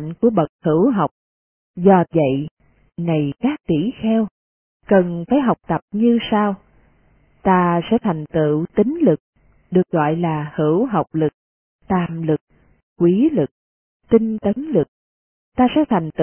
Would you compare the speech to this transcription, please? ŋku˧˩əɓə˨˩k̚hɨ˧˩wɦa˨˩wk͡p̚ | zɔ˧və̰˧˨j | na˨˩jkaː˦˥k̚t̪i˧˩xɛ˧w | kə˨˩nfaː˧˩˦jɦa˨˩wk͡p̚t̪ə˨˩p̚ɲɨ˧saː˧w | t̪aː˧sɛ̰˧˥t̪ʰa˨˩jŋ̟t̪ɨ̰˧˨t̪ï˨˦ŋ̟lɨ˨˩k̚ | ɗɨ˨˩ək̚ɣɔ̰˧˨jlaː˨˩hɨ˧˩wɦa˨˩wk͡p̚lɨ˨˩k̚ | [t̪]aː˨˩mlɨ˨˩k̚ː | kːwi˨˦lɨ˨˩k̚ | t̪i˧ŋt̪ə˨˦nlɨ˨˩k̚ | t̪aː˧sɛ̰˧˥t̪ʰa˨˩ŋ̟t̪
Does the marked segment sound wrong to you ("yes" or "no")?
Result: no